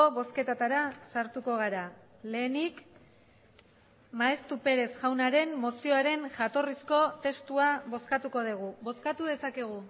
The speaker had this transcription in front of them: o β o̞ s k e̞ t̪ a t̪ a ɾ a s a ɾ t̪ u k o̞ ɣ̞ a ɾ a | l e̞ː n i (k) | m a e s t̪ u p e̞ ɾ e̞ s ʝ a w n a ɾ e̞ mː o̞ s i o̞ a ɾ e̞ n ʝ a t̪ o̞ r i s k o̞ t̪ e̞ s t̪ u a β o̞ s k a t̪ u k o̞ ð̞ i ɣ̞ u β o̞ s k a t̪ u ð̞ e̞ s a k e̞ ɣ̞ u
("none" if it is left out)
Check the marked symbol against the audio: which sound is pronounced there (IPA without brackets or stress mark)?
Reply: k